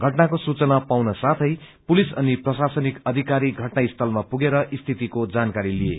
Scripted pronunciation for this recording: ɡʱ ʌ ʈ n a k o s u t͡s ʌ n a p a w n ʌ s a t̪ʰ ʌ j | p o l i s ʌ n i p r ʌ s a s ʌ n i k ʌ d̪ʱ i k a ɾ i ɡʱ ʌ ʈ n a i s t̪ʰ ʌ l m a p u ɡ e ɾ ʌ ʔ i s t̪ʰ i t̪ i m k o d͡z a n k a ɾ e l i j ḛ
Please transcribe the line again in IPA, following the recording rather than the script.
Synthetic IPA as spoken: ɡʱ ʌ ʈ n a k o s u t͡s ʌ n a p a w n ʌ s a t̪ʰ ʌ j | p u l i s ʌ n i p r ʌ s a s ʌ n i k ʌ d̪ʱ i k a ɾ i ɡʱ ʌ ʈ n a i s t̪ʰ ʌ l m a p u ɡ e ɾ ʌ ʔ i s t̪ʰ i t̪ i k o d͡z a n k a ɾ i l i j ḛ